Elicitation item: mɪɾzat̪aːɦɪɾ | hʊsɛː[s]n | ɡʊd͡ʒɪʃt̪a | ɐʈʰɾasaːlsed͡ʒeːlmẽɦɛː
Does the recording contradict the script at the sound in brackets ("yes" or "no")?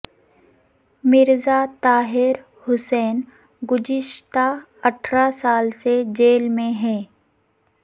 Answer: yes